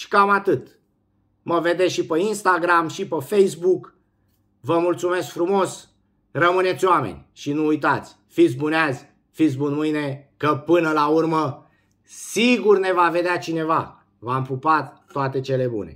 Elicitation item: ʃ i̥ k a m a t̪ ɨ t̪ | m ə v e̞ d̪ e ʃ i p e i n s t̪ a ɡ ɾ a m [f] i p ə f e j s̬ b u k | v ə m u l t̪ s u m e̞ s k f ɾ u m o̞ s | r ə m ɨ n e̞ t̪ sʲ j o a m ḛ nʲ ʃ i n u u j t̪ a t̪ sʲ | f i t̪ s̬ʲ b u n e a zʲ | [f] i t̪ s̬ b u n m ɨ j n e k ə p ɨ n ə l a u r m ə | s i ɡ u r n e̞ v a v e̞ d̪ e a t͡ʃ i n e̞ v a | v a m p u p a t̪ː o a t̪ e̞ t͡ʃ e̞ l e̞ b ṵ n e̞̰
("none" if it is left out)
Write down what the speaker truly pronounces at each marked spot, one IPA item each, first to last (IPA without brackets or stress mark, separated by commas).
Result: ʃ, f